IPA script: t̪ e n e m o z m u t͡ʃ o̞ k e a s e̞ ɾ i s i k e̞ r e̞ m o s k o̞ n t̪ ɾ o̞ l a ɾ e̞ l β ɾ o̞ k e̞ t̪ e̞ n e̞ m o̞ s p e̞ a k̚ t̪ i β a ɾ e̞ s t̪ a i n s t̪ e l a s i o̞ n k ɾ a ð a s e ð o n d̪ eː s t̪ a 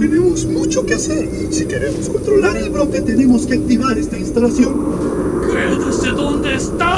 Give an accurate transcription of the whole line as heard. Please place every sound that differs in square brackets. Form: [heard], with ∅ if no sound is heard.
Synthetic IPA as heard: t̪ e n e m o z m u t͡ʃ o̞ k e a s e̞ ɾ i s i k e̞ [ɾ] e̞ m o s k o̞ n t̪ ɾ o̞ l a ɾ e̞ l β ɾ o̞ k e̞ t̪ e̞ n e̞ m o̞ s [k] e̞ a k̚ t̪ i β a ɾ e̞ s t̪ a i n s t̪ [a] l a s [j] o̞ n k ɾ [e] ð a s e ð o n d̪ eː s t̪ a